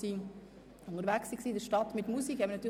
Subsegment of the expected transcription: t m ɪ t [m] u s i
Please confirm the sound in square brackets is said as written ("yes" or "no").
yes